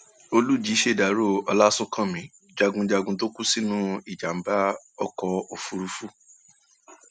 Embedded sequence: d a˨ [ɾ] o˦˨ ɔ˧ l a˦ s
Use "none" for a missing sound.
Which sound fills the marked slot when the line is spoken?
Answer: ɾ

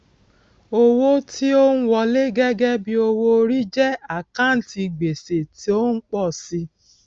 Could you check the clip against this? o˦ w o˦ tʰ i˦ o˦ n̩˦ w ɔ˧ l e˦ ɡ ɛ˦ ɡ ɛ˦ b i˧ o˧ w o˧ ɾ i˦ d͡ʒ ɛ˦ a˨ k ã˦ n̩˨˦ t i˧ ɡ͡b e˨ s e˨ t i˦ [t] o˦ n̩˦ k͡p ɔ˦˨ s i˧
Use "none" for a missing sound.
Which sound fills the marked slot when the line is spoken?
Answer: none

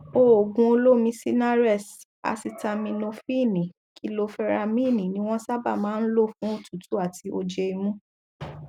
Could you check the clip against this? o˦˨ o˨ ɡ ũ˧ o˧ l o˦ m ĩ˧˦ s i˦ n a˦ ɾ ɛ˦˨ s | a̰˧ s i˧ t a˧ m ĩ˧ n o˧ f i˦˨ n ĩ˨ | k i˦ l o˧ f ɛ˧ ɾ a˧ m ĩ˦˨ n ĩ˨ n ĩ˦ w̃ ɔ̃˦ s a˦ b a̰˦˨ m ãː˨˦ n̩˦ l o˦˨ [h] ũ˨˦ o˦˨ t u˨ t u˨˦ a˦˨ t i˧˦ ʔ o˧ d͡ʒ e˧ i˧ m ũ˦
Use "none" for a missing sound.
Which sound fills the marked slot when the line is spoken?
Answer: f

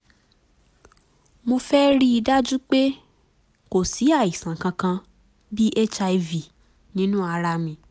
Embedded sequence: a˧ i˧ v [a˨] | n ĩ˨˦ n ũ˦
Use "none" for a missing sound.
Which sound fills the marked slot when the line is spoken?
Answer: i˨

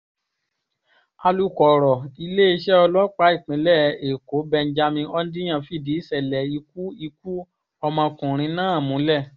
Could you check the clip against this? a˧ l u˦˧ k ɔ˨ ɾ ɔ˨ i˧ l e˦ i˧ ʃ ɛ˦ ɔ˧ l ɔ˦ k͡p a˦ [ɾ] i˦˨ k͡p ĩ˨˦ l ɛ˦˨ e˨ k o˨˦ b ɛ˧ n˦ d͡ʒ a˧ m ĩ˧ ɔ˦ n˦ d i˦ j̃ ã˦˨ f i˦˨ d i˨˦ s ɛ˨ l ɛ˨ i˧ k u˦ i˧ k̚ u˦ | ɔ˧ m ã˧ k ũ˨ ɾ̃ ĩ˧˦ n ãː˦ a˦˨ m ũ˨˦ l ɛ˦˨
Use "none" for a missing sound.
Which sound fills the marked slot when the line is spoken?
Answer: none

